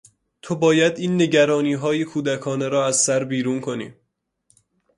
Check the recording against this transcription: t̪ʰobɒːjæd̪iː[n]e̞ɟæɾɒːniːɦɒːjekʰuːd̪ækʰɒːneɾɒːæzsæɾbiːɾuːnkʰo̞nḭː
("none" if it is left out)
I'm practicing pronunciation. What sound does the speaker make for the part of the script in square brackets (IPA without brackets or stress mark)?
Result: nː